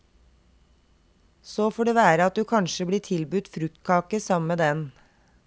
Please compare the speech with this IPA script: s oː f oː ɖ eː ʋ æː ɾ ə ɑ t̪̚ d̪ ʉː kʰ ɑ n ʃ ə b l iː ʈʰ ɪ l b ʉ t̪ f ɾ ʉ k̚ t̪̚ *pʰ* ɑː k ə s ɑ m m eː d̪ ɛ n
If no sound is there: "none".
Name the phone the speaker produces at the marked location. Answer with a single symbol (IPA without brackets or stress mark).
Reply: kʰ